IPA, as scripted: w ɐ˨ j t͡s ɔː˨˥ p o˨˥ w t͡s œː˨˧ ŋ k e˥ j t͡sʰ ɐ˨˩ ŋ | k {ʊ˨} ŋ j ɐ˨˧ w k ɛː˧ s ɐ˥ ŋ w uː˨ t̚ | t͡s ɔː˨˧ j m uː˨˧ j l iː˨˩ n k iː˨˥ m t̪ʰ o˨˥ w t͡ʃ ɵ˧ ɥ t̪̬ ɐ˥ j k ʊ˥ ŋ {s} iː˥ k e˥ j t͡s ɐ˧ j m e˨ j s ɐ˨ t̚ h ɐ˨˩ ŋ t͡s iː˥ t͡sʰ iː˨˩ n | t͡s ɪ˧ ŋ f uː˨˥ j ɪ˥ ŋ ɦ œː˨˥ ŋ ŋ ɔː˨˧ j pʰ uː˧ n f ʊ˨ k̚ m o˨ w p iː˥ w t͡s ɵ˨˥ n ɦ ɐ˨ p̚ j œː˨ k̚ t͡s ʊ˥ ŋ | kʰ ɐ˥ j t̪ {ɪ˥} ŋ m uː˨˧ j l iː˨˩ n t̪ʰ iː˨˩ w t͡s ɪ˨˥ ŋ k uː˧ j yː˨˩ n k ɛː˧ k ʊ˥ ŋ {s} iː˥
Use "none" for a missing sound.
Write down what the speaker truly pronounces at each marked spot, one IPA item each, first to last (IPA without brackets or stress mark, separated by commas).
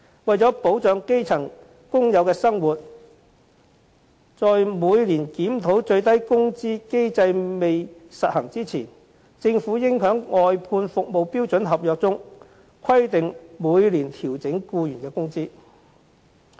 ʊ˥, t͡s, ɪ˨, t͡s